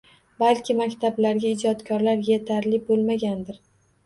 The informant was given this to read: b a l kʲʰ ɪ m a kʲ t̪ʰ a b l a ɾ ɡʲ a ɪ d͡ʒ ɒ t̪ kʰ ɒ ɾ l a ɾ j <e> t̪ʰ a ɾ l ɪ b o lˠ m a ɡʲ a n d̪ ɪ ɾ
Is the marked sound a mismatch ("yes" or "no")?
no